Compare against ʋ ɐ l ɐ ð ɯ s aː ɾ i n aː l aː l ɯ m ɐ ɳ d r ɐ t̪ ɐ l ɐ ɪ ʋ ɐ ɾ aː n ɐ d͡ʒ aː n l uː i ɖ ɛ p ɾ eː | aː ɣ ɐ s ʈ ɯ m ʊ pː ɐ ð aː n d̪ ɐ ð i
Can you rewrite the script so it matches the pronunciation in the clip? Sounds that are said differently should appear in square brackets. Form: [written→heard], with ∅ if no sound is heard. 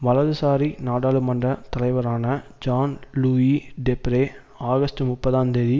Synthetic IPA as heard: ʋ ɐ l ɐ ð ɯ s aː ɾ i n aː [l→ɽ] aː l ɯ m ɐ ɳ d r ɐ t̪ ɐ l ɐ ɪ ʋ ɐ ɾ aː n ɐ d͡ʒ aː n l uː i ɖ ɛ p ɾ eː | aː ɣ ɐ s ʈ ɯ m ʊ pː ɐ ð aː n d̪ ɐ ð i